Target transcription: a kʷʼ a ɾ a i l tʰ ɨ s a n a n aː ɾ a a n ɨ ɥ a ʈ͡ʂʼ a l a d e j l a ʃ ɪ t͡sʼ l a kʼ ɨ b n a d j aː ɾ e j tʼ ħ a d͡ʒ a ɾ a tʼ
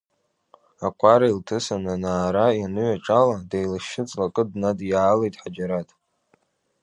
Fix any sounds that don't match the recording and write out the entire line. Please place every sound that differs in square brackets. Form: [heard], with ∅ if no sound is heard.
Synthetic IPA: a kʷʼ a ɾ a i l tʰ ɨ s a n a n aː ɾ a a n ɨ ɥ a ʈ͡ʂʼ a l a d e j l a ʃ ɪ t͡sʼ l a kʼ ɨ [d] n a d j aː [l] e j tʼ ħ a d͡ʒ a ɾ a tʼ